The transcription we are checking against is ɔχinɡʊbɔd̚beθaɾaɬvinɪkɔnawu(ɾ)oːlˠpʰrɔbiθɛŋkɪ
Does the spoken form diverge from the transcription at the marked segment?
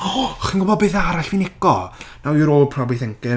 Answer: no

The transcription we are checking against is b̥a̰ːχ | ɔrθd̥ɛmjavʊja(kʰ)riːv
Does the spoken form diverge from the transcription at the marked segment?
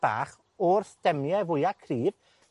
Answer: no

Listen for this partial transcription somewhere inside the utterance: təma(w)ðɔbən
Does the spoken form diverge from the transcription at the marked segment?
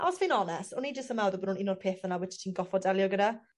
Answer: no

